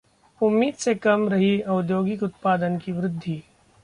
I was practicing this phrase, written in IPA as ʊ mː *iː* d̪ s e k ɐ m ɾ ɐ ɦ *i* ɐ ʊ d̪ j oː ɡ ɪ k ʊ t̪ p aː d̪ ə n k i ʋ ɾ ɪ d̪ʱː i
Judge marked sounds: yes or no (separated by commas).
yes, yes